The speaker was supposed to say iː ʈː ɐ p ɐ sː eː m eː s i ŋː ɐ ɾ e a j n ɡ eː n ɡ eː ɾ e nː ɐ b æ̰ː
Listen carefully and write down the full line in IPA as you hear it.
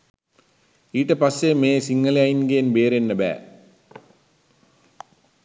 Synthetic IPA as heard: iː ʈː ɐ p ɐ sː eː m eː s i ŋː ɐ l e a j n ɡ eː n b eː ɾ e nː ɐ b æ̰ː